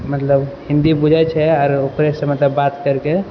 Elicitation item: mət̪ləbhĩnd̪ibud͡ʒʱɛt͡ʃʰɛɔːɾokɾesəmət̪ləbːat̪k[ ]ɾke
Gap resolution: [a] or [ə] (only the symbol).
ə